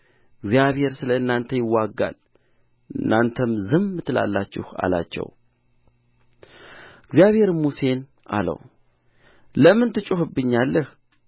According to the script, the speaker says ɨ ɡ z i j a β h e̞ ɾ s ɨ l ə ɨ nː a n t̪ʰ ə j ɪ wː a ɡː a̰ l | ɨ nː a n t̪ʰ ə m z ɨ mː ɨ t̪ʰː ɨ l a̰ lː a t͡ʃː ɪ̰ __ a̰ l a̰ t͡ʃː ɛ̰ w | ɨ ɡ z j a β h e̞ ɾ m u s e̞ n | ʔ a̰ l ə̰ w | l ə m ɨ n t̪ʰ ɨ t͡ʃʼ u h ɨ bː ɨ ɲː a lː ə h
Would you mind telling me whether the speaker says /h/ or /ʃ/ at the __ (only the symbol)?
h